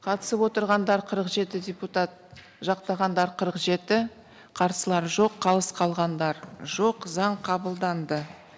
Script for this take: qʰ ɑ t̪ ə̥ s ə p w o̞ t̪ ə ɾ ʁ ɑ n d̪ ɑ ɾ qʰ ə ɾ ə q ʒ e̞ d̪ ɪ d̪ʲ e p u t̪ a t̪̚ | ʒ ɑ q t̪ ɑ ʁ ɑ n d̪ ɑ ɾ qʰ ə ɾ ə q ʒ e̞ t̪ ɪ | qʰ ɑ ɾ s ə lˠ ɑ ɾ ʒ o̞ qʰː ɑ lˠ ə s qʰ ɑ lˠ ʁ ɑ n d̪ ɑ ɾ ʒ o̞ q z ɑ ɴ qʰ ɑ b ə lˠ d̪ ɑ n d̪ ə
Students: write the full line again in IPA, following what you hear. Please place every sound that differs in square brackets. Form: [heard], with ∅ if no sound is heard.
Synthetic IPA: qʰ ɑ t̪ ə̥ s ə p w o̞ t̪ ə ɾ ʁ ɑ n d̪ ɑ ɾ qʰ ə ɾ ə q ʒ e̞ [t̪] ɪ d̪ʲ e p u t̪ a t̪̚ | ʒ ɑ q t̪ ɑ ʁ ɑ n d̪ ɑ ɾ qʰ ə ɾ ə q ʒ e̞ t̪ ɪ | qʰ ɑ ɾ s ə lˠ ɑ ɾ ʒ o̞ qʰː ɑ lˠ ə s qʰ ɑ lˠ ʁ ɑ n d̪ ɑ ɾ ʒ o̞ q z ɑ ɴ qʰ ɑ b ə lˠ d̪ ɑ n d̪ ə